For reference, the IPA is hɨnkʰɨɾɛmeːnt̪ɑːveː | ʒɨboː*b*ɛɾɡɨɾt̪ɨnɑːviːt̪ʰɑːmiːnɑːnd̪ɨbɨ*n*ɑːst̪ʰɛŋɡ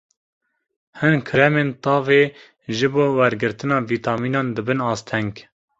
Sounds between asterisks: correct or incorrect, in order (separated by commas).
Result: incorrect, correct